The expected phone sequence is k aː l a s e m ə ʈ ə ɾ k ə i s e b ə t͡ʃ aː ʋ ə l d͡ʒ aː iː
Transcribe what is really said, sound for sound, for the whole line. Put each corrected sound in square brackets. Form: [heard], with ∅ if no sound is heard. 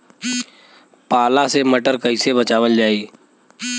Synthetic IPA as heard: [p] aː l a s e m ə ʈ ə ɾ k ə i s e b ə t͡ʃ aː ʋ ə l d͡ʒ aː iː